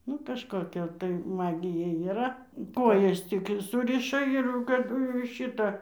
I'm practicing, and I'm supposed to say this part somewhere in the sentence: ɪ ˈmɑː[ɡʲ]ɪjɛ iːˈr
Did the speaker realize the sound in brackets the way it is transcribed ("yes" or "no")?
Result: yes